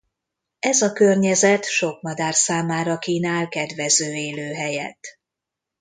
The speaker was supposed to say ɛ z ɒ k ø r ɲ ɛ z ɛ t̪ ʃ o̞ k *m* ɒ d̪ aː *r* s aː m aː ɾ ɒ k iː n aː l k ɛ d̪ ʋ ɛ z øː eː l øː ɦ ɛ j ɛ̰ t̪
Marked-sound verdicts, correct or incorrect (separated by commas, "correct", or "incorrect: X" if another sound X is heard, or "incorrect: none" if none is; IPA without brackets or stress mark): correct, correct